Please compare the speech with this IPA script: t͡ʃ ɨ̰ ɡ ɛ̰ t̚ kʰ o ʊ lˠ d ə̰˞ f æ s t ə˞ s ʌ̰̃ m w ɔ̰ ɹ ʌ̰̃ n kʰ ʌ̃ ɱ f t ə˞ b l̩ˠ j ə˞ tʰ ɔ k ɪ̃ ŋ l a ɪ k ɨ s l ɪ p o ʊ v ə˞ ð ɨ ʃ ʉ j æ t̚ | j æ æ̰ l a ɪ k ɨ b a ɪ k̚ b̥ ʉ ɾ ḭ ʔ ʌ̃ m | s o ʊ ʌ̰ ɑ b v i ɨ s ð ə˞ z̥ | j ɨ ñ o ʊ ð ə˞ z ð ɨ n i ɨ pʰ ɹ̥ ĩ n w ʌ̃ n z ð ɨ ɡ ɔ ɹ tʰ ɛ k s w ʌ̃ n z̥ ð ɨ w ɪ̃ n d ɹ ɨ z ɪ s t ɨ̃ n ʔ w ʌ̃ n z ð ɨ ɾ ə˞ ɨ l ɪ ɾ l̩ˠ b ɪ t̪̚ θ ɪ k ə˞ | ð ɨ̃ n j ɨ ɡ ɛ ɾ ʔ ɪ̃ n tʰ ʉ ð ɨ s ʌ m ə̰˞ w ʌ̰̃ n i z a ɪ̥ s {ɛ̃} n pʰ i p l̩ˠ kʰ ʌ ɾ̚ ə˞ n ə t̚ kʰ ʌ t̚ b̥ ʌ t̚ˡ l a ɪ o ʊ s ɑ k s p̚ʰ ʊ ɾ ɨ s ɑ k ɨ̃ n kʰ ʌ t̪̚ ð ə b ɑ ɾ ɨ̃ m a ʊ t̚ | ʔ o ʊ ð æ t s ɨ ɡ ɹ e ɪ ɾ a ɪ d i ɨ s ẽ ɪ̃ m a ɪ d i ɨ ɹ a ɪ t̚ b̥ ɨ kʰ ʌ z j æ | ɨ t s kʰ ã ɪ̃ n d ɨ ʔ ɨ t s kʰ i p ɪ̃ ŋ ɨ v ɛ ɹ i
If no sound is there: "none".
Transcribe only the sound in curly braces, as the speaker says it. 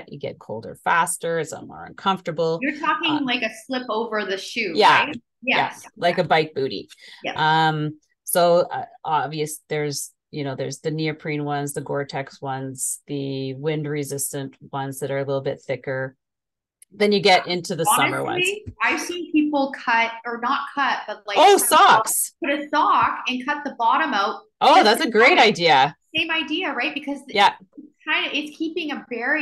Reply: ĩ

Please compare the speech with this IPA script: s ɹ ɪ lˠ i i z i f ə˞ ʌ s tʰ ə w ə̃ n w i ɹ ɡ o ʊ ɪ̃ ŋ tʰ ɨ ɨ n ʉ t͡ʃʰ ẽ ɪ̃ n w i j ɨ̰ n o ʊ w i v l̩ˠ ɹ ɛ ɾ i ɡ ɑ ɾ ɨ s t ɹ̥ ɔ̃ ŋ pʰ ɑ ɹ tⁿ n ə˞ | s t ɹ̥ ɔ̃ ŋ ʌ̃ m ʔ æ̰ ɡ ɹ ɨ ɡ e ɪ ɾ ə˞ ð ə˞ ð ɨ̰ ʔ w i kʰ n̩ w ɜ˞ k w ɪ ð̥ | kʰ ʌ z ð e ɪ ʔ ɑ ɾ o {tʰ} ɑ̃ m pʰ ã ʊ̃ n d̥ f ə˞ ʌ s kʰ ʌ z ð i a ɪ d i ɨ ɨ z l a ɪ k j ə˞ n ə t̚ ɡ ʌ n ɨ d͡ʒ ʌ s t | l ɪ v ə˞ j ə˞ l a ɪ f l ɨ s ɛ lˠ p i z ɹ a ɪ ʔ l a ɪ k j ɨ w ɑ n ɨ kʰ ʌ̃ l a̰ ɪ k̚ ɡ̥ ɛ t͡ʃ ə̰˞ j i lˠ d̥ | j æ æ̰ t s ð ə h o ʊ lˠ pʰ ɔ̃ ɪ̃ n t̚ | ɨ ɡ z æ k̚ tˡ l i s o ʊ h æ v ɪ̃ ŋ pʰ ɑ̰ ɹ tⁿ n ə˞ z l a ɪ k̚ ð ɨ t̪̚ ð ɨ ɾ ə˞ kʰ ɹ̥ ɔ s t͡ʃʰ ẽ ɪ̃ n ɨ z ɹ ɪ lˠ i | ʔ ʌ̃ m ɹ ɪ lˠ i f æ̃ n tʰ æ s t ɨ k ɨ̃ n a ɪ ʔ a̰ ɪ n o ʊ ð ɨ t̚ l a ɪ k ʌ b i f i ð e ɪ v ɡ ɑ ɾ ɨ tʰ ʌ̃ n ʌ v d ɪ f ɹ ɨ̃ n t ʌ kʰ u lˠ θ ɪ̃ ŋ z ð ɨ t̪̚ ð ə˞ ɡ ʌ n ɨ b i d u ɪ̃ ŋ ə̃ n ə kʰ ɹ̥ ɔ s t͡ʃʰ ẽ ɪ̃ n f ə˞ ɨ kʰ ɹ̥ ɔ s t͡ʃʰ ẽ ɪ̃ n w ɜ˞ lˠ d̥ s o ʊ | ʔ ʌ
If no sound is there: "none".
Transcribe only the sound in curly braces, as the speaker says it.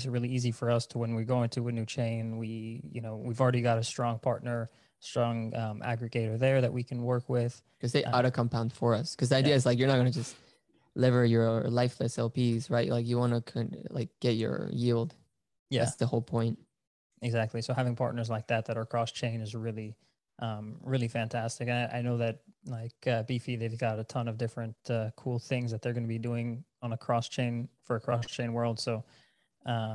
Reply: kʰ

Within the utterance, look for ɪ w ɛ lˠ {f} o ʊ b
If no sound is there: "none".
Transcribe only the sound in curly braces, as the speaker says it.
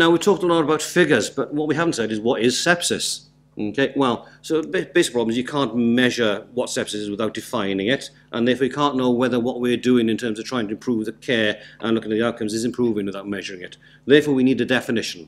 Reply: s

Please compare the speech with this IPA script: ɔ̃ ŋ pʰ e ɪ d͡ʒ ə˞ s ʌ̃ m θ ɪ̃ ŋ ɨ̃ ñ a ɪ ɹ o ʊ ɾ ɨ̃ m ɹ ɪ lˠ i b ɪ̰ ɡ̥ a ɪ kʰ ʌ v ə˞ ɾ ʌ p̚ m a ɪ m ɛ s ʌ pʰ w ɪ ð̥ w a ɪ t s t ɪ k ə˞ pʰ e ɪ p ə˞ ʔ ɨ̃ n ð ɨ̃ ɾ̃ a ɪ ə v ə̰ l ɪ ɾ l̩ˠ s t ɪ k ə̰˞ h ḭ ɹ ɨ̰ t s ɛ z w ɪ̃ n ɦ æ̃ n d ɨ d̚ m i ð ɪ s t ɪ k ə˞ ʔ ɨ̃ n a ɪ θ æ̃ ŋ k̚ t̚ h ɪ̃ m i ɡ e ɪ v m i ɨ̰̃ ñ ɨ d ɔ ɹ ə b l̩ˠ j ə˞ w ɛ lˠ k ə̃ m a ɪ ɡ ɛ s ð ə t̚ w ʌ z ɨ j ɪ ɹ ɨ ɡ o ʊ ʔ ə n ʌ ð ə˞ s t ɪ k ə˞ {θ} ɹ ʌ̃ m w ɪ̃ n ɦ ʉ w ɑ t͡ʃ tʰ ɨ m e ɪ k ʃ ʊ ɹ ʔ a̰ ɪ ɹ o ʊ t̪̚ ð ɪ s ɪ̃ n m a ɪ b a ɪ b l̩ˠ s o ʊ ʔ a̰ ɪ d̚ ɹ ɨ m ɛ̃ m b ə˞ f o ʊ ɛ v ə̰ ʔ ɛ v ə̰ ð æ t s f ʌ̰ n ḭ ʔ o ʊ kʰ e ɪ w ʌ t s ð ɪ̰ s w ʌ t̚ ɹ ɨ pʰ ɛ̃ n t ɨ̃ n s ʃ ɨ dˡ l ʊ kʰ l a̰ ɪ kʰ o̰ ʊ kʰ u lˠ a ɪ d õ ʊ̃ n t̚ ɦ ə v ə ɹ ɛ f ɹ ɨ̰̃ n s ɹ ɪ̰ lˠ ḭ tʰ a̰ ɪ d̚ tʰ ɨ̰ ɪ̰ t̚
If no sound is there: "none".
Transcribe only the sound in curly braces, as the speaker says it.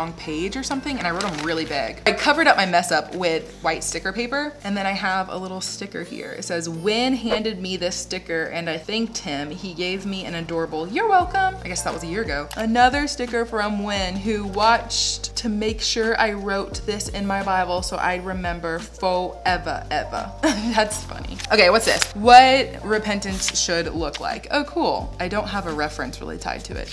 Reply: f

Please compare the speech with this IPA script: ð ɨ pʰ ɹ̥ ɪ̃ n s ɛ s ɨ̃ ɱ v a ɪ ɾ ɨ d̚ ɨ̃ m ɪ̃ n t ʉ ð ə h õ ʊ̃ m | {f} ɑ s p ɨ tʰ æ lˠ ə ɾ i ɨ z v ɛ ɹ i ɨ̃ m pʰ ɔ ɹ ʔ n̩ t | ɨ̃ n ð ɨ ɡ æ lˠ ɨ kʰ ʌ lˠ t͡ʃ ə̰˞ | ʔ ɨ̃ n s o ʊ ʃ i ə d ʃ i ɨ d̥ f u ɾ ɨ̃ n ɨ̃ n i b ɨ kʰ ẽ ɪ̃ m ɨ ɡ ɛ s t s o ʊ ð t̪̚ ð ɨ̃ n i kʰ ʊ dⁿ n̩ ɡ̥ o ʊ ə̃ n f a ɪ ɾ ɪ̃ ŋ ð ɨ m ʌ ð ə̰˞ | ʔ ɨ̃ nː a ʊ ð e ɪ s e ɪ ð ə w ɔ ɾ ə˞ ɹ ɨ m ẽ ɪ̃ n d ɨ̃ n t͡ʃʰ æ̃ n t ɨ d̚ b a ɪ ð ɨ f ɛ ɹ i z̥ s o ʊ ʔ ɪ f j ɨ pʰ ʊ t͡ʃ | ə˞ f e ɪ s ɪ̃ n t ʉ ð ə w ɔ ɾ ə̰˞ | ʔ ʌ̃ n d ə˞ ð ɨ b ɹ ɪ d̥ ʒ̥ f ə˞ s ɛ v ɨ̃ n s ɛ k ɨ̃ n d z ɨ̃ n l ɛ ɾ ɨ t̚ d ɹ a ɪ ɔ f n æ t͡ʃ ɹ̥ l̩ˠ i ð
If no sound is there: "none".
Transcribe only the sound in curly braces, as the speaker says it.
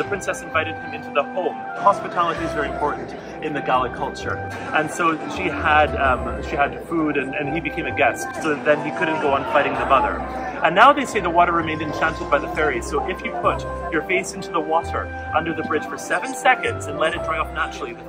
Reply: h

